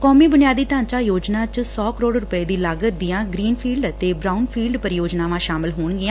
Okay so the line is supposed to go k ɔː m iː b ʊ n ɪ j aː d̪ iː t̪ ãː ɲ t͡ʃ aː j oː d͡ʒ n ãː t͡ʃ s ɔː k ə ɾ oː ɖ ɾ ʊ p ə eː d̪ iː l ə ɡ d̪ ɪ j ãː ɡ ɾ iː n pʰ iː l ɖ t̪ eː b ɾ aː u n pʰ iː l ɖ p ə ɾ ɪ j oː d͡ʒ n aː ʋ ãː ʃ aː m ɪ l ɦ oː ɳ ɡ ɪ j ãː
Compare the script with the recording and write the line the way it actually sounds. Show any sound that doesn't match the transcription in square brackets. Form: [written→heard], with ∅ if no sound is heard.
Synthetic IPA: k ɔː m iː b ʊ n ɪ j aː d̪ iː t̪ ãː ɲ t͡ʃ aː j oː d͡ʒ n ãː t͡ʃ s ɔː k ə ɾ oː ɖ ɾ ʊ p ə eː d̪ iː l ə ɡ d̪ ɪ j ãː ɡ ɾ iː n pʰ iː l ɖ t̪ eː b ɾ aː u n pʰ iː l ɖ p ə ɾ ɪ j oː d͡ʒ n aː ʋ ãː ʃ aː m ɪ l ɦ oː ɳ ɡ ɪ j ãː